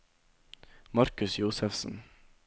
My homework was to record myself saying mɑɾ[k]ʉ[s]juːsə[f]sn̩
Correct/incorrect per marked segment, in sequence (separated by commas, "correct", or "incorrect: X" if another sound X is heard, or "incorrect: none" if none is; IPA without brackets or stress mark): correct, correct, correct